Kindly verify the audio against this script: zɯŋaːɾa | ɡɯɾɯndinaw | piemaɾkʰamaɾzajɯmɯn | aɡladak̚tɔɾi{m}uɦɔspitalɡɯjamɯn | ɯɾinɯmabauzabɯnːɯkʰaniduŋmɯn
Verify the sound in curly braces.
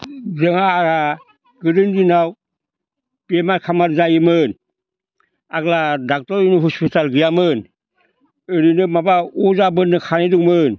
incorrect: n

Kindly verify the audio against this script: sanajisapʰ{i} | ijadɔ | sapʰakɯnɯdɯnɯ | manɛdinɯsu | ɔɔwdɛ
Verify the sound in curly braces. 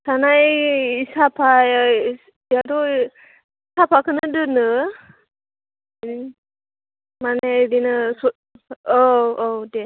incorrect: a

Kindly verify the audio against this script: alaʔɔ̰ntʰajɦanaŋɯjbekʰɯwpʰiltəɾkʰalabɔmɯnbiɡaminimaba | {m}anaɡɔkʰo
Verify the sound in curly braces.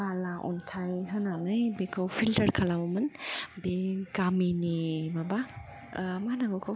correct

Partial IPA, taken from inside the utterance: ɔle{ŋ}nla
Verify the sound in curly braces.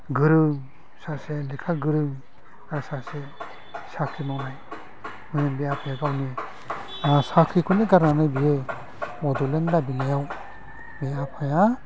incorrect: none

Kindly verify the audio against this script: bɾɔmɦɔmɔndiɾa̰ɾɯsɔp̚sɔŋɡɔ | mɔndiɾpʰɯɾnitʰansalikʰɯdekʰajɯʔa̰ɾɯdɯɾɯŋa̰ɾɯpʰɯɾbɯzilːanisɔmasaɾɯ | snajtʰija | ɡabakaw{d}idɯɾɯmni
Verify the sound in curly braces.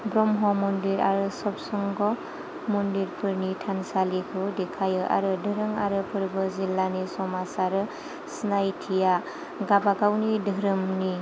incorrect: n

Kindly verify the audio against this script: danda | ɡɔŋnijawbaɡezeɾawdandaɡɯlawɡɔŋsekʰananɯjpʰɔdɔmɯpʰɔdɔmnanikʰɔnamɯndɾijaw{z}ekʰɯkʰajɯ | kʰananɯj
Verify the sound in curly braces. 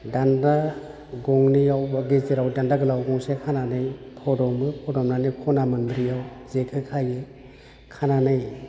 correct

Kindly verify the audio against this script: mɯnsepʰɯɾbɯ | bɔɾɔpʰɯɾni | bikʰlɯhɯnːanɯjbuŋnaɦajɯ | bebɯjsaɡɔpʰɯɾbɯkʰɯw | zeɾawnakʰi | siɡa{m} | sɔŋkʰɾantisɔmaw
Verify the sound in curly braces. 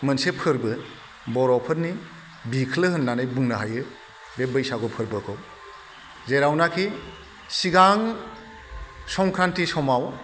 incorrect: ŋ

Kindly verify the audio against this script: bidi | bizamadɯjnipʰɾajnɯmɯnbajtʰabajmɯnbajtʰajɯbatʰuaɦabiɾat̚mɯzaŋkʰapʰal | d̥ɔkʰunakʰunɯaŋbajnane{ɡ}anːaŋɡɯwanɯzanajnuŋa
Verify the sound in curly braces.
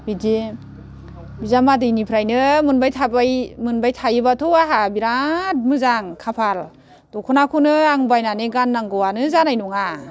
correct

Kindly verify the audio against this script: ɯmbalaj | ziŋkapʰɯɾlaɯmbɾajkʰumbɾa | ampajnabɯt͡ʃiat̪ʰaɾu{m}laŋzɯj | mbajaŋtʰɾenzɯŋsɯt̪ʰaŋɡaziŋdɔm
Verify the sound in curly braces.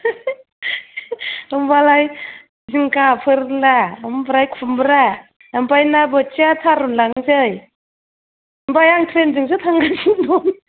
incorrect: n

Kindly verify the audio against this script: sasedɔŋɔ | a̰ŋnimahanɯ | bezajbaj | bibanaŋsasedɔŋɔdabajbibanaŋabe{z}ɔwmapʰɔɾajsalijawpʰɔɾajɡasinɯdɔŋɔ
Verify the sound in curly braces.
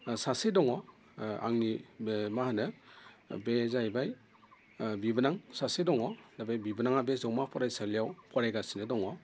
correct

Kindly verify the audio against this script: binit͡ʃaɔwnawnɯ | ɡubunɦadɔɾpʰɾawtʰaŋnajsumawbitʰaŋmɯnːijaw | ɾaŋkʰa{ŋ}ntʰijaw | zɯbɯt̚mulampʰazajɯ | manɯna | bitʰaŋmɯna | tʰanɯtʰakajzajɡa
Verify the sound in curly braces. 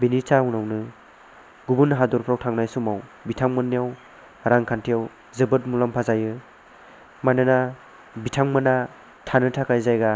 incorrect: none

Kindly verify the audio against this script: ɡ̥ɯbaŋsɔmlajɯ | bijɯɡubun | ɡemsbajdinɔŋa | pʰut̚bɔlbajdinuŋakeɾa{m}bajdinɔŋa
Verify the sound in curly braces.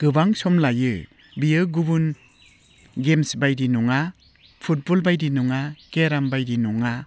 correct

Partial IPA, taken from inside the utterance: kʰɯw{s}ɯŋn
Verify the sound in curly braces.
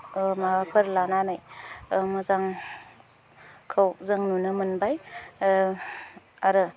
incorrect: z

